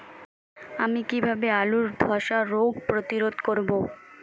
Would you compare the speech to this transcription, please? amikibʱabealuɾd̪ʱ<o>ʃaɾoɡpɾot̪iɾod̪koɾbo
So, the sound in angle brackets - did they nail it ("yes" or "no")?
no